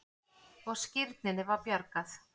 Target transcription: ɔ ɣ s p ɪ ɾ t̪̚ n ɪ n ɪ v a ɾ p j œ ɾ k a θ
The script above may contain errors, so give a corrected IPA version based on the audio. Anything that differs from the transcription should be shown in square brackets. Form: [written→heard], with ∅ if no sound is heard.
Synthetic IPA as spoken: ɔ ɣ s [p→c] ɪ ɾ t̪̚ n ɪ n ɪ v a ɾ p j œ ɾ k a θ

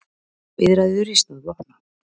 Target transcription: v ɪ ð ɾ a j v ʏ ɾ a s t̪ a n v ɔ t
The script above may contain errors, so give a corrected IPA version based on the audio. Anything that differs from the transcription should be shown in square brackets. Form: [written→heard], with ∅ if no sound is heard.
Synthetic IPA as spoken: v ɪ ð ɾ a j [v→ð] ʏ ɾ [a→i] s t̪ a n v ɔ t

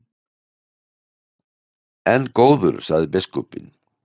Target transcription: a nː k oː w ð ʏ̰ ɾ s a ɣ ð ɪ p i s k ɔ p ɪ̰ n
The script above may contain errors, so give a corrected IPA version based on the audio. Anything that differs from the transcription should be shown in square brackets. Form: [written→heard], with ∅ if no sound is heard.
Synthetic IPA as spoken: [a→ɛ] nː k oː w ð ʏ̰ ɾ s a ɣ ð ɪ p [i→ɪ] s k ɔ p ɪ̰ n

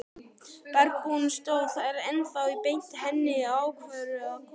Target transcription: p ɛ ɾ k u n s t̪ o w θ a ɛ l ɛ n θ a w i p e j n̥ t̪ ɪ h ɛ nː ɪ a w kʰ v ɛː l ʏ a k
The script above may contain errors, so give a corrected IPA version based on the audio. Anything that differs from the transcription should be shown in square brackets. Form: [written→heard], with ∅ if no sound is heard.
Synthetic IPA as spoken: p ɛ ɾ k u n s t̪ o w θ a ɛ [l→ɾ] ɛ n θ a w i p e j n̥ t̪ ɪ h ɛ nː ɪ a w kʰ v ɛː [l→ɾ] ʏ a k

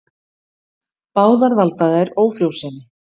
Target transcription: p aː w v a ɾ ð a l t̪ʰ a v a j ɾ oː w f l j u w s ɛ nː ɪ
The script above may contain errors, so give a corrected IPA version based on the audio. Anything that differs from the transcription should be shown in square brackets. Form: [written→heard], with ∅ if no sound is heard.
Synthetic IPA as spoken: p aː w [v→ð] a ɾ [ð→v] a l [t̪ʰ→t̪] a [v→ð] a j ɾ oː w f [l→ɾ] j [u→o] w s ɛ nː ɪ

